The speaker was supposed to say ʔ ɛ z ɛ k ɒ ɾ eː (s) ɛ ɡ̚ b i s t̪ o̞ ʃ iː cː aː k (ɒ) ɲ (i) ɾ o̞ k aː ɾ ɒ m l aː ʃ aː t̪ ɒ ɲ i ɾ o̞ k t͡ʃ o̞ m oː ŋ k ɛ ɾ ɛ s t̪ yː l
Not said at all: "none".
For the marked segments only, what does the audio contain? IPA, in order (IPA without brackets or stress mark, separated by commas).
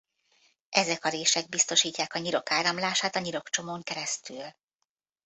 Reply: ʃ, ɒ, i